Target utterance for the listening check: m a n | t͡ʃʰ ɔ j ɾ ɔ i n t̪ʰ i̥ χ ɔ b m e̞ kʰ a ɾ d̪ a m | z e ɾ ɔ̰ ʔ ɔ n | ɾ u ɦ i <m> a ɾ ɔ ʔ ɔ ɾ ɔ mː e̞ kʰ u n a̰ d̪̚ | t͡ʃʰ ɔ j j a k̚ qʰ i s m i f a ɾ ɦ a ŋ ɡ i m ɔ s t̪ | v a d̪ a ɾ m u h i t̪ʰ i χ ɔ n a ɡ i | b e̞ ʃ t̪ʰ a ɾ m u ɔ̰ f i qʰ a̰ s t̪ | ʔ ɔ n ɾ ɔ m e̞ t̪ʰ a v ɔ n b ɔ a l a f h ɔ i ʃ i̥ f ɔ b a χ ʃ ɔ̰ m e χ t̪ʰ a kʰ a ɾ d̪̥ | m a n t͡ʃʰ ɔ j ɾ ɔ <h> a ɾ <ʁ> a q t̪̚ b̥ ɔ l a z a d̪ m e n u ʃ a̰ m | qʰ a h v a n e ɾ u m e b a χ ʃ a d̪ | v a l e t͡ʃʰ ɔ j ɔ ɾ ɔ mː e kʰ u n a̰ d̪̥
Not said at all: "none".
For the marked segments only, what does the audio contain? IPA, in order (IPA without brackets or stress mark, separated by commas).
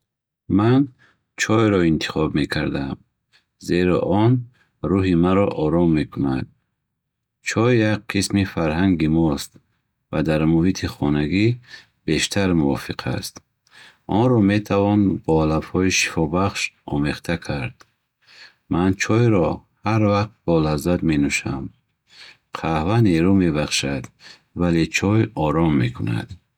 m, h, v